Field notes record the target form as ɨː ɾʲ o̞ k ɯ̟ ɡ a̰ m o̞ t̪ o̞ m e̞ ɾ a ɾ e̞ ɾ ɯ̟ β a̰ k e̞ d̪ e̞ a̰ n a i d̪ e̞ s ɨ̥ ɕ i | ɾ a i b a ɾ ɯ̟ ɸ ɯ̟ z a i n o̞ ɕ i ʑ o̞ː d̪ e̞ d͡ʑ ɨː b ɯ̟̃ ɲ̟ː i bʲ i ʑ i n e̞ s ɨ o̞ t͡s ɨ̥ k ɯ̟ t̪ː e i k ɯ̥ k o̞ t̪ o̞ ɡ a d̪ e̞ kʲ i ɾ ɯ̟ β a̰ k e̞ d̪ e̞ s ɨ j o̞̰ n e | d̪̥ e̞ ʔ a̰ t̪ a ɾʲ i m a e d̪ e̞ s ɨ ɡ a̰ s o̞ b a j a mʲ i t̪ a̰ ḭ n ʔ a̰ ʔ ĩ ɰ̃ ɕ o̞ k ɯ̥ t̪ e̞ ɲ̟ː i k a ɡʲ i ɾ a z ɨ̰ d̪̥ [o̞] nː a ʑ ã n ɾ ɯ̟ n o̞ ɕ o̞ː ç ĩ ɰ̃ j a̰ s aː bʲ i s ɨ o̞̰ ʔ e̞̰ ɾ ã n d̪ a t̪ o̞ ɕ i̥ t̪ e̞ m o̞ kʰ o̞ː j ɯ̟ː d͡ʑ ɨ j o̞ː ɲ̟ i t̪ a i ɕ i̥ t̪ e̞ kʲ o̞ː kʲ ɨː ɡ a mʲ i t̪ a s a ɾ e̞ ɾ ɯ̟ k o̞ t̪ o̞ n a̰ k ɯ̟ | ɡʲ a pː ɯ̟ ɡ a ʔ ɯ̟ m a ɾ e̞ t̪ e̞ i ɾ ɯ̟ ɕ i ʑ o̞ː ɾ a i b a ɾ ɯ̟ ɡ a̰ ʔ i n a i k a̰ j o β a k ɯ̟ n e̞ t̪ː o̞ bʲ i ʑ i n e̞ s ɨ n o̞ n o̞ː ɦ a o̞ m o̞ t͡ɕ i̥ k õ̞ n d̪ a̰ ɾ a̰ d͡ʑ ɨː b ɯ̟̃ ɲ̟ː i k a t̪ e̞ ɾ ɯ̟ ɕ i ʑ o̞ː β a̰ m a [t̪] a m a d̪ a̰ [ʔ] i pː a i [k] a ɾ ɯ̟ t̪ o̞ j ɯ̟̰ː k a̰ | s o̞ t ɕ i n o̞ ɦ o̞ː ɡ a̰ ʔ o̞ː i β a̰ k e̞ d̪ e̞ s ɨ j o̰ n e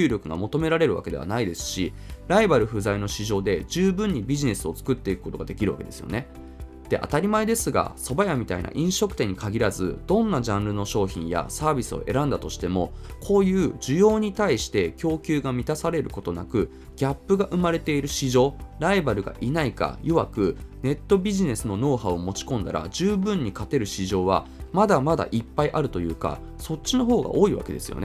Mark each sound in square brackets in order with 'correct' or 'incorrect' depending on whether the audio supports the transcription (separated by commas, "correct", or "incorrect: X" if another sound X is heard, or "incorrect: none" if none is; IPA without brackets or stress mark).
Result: incorrect: õ̞, incorrect: d̪, correct, incorrect: ʔ